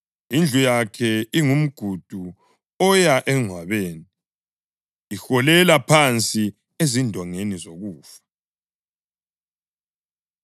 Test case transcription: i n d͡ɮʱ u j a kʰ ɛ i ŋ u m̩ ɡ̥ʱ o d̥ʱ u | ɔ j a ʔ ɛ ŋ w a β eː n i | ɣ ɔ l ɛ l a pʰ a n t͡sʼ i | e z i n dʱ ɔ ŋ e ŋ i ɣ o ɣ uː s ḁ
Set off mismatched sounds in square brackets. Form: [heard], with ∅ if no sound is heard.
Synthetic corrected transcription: i n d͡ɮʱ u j a kʰ ɛ i ŋ u m̩ ɡ̥ʱ [u] d̥ʱ u | ɔ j a ʔ ɛ ŋ w a β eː n i | [x] ɔ l ɛ l a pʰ a n t͡sʼ i | e z i n dʱ ɔ ŋ e [n] i [z] o ɣ uː [f] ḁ